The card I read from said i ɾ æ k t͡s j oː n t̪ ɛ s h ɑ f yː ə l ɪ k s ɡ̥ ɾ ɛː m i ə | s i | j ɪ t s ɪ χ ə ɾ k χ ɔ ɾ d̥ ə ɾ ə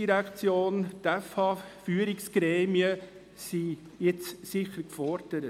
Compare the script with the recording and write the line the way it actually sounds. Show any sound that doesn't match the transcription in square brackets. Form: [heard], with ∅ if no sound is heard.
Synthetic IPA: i ɾ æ k t͡s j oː n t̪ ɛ [f] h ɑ f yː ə [ɾ] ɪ k s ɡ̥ ɾ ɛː m i ə | s i | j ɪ [t͡s] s ɪ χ ə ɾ k [f] ɔ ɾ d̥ ə ɾ ə